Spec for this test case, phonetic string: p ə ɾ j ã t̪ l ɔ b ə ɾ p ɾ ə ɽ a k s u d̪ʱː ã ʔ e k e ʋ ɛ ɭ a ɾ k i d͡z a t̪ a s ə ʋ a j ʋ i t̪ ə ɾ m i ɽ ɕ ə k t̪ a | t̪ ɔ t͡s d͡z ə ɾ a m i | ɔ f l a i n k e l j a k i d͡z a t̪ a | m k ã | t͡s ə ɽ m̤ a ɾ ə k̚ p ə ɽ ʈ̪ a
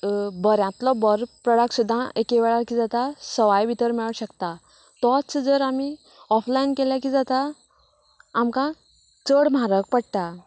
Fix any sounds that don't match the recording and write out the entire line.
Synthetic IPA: b ə ɾ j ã t̪ l ɔ b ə ɾ p ɾ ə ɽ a k s u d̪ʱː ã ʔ e k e ʋ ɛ ɭ a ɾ k i d͡z a t̪ a s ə ʋ a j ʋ i t̪ ə ɾ m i ɭ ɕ ə k t̪ a | t̪ ɔ t͡s d͡z ə ɾ a m i | ɔ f l a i n k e l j a k i d͡z a t̪ a | m k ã | t͡s ə ɽ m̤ a ɾ ə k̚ p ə ɽ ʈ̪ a

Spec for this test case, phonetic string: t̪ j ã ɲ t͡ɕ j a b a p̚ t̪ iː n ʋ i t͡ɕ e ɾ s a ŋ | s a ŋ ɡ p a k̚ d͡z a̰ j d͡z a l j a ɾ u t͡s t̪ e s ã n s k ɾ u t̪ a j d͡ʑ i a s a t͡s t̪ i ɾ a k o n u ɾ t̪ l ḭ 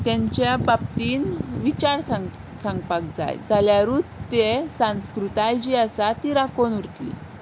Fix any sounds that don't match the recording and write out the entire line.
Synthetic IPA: t̪ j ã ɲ t͡ɕ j a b a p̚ t̪ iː n ʋ i t͡ɕ a ɾ s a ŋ | s a ŋ ɡ p a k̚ d͡z a̰ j d͡z a l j a ɾ u t͡s t̪ e s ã n s k ɾ u t̪ a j d͡ʑ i a s a t̪ i ɾ a k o n u ɾ t̪ l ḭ

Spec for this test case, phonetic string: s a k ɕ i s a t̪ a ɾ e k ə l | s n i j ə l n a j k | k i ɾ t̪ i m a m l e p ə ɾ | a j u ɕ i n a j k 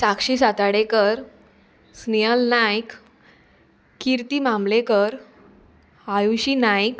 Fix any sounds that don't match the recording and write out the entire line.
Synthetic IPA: s a k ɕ i s a t̪ a ɽ e k ə ɾ | s n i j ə l n a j k | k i ɾ t̪ i m a m l e k ə ɾ | a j u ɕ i n a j k

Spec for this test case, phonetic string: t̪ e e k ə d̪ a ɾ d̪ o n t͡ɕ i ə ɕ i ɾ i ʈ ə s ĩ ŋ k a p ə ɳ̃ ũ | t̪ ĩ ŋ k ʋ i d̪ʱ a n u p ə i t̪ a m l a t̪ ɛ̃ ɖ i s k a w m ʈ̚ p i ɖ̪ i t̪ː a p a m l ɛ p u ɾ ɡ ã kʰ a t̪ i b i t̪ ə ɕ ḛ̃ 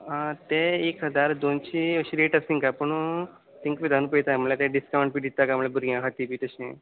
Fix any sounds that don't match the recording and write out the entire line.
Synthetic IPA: t̪ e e k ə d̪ a ɾ d̪ o n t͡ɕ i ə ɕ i ɾ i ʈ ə s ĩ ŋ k a p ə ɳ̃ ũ | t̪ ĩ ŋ k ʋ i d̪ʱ a n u p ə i t̪ a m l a t̪ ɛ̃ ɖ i s k a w ɳ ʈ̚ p i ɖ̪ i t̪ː a k a m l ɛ b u ɾ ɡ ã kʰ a t̪ i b i t̪ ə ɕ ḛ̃

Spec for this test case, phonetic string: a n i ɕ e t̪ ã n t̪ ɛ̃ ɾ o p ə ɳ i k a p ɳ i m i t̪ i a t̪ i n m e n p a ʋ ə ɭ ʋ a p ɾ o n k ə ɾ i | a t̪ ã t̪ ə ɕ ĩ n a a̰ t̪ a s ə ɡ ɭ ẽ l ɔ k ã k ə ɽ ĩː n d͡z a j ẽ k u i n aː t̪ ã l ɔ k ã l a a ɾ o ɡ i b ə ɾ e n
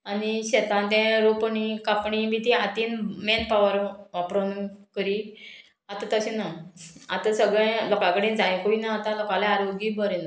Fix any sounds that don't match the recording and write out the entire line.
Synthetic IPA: a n i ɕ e t̪ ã n t̪ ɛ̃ ɾ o p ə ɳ i k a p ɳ i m i t̪ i a t̪ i n m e n p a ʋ ə ɾ ʋ a p ɾ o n k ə ɾ i | a t̪ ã t̪ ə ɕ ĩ n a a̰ t̪ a s ə ɡ ɭ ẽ l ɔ k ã k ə ɽ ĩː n d͡z a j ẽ k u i n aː t̪ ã l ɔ k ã l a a ɾ o ɡ i b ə ɾ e n

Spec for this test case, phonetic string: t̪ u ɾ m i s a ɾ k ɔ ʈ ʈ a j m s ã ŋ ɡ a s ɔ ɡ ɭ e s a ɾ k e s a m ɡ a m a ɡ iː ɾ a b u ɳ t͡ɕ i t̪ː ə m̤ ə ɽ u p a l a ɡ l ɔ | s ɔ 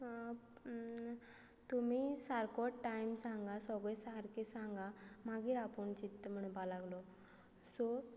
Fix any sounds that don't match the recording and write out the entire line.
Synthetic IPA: t̪ u m i s a ɾ k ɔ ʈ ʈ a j m s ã ŋ ɡ a s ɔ ɡ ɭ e s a ɾ k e s a ŋ ɡ a m a ɡ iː ɾ a p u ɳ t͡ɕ i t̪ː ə m̤ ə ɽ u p a l a ɡ l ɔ | s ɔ

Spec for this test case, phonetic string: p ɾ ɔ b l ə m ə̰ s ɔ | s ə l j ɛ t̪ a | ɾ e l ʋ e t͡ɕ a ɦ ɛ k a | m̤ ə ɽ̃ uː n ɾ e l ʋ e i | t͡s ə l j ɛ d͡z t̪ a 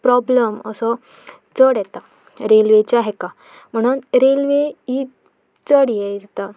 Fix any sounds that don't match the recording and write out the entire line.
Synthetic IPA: p ɾ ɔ b l ə m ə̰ s ɔ | t͡s ə ɽ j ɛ t̪ a | ɾ e l ʋ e t͡ɕ a ɦ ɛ k a | m̤ ə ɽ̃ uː n ɾ e l ʋ e i | t͡s ə ɽ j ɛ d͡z t̪ a

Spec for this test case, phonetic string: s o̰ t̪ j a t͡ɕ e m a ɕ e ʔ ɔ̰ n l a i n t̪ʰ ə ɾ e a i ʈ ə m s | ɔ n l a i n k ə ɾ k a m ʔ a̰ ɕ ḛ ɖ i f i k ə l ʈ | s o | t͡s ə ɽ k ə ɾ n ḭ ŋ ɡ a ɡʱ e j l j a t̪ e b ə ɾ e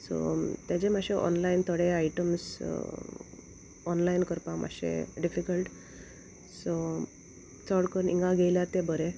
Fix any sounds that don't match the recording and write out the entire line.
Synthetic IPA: s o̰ t̪ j a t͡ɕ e m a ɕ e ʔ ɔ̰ n l a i n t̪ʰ ə ɽ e a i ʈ ə m s | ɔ n l a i n k ə ɾ p a m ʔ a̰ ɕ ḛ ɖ i f i k ə l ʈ | s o | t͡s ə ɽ k ə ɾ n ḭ ŋ ɡ a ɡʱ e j l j a t̪ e b ə ɾ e

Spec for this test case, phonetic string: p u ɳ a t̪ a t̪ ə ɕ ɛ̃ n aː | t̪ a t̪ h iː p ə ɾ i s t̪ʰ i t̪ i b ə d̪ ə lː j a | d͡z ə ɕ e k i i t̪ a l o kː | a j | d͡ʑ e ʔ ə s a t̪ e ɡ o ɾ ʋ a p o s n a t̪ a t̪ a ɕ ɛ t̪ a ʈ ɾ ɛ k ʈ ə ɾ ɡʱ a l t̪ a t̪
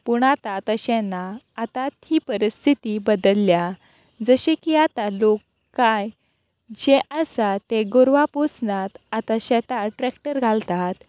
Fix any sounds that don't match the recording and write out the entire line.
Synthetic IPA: p u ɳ a t̪ a t̪ ə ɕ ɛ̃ n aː | t̪ a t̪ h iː p ə ɾ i s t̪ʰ i t̪ i b ə d̪ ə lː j a | d͡z ə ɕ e k i a t̪ a l o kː | a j | d͡ʑ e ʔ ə s a t̪ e ɡ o ɾ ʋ a p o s n a t̪ a t̪ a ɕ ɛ t̪ a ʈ ɾ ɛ k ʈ ə ɾ ɡʱ a l t̪ a t̪

